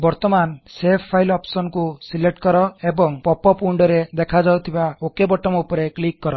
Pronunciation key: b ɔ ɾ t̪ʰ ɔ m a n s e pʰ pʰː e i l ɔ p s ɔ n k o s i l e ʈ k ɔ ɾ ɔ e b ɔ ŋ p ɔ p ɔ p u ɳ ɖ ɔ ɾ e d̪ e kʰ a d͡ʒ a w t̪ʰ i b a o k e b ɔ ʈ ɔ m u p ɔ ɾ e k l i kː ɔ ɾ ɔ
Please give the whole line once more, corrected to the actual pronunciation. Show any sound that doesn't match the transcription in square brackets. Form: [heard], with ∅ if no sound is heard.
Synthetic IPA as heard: b ɔ ɾ [t̪] ɔ m a n s e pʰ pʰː [a] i l ɔ p s ɔ n k [u] s i l e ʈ k ɔ ɾ ɔ e b ɔ ŋ p ɔ p ɔ p u ɳ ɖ ɔ ɾ e d̪ e kʰ a d͡ʒ a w t̪ʰ i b a o k e b ɔ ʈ ɔ m u p ɔ ɾ e k l i kː ɔ ɾ ɔ

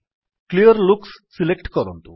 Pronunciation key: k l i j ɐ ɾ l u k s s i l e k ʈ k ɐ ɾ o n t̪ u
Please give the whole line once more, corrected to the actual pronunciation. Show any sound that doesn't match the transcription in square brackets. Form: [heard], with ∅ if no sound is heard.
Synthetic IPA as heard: k l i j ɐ ɾ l u k s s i l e k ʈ k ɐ ɾ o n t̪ u

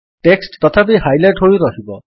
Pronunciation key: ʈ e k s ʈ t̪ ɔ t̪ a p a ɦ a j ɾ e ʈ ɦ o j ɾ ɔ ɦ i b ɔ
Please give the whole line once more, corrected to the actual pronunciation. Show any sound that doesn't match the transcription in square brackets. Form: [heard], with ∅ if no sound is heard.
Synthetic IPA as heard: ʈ e k s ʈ t̪ ɔ [t̪ʰ] a p [i] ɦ a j [l] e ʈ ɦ o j ɾ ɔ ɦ i b ɔ

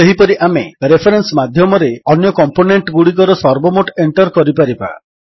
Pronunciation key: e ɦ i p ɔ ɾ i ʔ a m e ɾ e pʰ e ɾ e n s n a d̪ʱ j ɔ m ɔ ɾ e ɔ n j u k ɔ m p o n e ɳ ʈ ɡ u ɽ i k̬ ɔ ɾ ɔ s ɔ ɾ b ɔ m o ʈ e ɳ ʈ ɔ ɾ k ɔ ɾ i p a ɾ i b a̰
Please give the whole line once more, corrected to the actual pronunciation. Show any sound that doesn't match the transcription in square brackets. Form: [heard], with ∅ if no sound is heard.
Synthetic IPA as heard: e ɦ i p ɔ ɾ i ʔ a m e ɾ e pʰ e ɾ e n s [m] a d̪ʱ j ɔ m ɔ ɾ e ɔ n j [ɔ] k ɔ m p o n e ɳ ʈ ɡ u ɽ i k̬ ɔ ɾ ɔ s ɔ ɾ b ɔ m o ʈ e ɳ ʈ ɔ ɾ k ɔ ɾ i p a ɾ i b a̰

